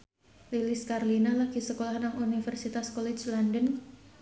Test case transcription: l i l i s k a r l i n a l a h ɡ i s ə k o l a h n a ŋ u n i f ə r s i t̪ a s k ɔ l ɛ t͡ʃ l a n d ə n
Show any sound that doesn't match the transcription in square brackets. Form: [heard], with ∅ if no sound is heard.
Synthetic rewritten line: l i l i s k a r l i n a l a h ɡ i s ə k o l a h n a ŋ u n i f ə r s i t̪ a s k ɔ l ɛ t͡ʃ l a n d ə n